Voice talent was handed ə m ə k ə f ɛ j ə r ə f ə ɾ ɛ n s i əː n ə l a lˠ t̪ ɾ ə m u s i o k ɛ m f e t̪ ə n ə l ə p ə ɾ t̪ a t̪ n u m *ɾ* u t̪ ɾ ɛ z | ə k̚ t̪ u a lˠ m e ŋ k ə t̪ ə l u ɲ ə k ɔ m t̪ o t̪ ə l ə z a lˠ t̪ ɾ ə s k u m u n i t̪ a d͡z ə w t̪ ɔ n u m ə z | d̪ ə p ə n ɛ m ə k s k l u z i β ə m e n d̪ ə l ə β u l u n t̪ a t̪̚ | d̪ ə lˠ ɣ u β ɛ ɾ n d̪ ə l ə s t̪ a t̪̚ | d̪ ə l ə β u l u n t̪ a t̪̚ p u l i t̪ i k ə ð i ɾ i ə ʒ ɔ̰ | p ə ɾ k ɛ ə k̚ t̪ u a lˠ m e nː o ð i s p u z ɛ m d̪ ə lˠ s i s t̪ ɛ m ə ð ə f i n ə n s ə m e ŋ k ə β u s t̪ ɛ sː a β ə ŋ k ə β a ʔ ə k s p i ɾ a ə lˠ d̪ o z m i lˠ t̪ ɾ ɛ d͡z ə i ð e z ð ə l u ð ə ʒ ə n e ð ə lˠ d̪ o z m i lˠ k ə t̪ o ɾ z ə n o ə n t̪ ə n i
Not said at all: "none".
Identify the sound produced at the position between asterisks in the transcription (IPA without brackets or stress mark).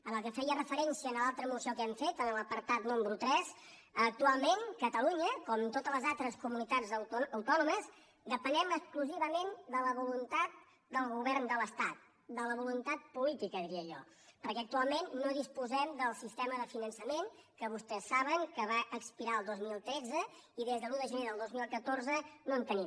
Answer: ɾ